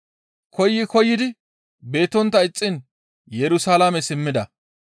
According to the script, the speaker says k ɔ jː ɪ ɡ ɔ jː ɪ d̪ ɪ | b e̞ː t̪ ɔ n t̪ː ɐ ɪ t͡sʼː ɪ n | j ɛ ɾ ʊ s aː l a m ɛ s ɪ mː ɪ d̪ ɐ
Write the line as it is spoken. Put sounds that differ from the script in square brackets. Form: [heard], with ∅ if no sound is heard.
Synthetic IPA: k ɔ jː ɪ [k] ɔ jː ɪ d̪ ɪ | b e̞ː t̪ ɔ n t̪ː ɐ ɪ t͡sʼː ɪ n | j ɛ ɾ ʊ s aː l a m ɛ s ɪ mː ɪ d̪ ɐ

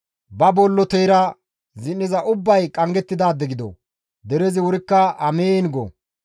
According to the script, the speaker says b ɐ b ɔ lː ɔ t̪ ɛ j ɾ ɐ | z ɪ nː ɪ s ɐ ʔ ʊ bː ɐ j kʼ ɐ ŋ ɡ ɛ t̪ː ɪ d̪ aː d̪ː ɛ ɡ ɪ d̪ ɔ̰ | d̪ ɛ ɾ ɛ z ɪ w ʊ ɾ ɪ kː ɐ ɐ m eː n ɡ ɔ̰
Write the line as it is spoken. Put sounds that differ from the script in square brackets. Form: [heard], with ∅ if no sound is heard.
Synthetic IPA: b ɐ b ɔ lː ɔ t̪ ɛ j ɾ ɐ | z ɪ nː ɪ [z] ɐ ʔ ʊ bː ɐ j kʼ ɐ ŋ ɡ ɛ t̪ː ɪ d̪ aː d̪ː ɛ ɡ ɪ d̪ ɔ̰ | d̪ ɛ ɾ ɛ z ɪ w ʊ ɾ ɪ kː ɐ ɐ m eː n ɡ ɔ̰

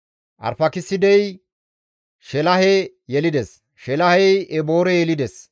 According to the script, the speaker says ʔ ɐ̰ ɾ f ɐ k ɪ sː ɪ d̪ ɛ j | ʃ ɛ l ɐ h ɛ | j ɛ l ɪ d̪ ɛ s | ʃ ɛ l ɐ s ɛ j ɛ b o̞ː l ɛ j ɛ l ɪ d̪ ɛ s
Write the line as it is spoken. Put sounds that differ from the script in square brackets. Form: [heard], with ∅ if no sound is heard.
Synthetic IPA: ʔ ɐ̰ ɾ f ɐ k ɪ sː ɪ d̪ ɛ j | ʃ ɛ l ɐ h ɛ | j ɛ l ɪ d̪ ɛ s | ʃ ɛ l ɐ [h] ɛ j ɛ b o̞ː [ɾ] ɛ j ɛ l ɪ d̪ ɛ s

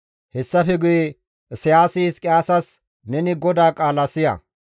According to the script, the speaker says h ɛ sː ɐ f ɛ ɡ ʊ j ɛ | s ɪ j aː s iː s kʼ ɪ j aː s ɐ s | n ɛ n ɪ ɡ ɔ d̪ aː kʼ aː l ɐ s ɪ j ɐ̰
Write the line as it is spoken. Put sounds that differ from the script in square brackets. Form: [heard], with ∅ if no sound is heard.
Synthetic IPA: h ɛ sː ɐ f ɛ ɡ ʊ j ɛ | s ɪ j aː s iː s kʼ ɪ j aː s ɐ s | n ɛ n ɪ ɡ ɔ d̪ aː kʼ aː l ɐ s ɪ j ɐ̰

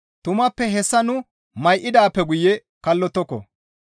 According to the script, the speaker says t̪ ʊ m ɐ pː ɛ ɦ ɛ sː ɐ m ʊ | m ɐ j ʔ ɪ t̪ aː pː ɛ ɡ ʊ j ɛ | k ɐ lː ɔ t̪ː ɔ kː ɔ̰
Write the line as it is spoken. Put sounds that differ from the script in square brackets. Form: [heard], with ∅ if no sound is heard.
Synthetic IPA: t̪ ʊ m ɐ pː ɛ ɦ ɛ sː ɐ [n] ʊ | m ɐ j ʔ ɪ [d̪] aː pː ɛ ɡ ʊ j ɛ | k ɐ lː ɔ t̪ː ɔ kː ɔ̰

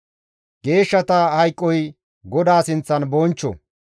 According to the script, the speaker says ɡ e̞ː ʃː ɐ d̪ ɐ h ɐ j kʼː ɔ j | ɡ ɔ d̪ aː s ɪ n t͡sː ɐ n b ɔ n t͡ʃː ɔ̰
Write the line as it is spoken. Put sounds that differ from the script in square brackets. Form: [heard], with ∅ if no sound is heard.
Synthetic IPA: ɡ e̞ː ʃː ɐ [t̪] ɐ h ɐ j kʼː ɔ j | ɡ ɔ d̪ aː s ɪ n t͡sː ɐ n b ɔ n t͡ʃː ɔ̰

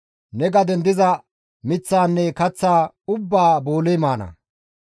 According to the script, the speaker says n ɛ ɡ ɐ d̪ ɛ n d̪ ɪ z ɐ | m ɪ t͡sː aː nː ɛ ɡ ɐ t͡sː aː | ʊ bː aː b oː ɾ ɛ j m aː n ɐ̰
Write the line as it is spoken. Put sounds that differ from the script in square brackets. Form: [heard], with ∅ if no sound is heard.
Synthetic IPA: n ɛ ɡ ɐ d̪ ɛ n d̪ ɪ z ɐ | m ɪ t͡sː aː nː ɛ [k] ɐ t͡sː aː | ʊ bː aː b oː [l] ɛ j m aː n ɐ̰

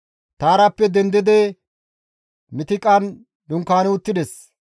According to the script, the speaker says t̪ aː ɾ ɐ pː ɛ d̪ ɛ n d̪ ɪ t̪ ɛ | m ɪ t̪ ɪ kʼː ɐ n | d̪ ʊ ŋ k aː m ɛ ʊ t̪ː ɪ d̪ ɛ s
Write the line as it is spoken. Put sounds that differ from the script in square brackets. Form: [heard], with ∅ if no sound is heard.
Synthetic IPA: t̪ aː ɾ ɐ pː ɛ d̪ ɛ n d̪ ɪ [d̪] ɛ | m ɪ t̪ ɪ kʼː ɐ n | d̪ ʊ ŋ k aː [n] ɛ ʊ t̪ː ɪ d̪ ɛ s

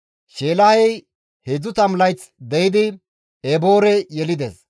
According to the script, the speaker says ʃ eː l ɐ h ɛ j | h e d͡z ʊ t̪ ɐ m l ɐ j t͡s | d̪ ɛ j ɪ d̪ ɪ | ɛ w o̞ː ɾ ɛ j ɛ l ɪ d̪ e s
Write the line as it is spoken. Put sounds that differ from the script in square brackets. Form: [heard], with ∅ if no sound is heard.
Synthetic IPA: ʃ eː l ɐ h ɛ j | h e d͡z ʊ t̪ ɐ m l ɐ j t͡s | d̪ ɛ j ɪ d̪ ɪ | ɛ [b] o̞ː ɾ ɛ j ɛ l ɪ d̪ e s

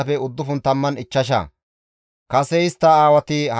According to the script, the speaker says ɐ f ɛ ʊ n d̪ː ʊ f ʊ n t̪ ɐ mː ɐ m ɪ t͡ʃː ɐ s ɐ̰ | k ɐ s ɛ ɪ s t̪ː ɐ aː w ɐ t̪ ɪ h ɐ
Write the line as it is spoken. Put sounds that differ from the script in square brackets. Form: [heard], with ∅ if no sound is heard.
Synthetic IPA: ɐ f ɛ ʊ [∅] d̪ː ʊ f ʊ n t̪ ɐ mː ɐ [n] ɪ t͡ʃː ɐ [ʃ] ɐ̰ | k ɐ s ɛ ɪ s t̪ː ɐ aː w ɐ t̪ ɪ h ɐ

